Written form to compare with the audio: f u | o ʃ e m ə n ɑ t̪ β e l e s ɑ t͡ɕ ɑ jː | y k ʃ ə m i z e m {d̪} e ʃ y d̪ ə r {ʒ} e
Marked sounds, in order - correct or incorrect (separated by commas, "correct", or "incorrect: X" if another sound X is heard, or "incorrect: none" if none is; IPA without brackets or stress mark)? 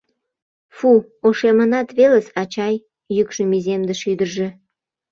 correct, correct